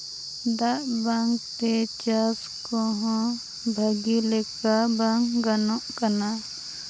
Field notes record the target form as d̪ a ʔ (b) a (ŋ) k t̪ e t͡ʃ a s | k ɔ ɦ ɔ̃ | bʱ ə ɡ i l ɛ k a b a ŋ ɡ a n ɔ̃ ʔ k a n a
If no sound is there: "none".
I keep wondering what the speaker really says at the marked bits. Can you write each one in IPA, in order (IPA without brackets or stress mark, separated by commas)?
b, ŋ